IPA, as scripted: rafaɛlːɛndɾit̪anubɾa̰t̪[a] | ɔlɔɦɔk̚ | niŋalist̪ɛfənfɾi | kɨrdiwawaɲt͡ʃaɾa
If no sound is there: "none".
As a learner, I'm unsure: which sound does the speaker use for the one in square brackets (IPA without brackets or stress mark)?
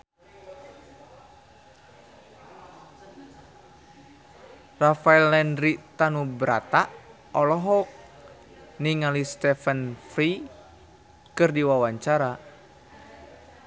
a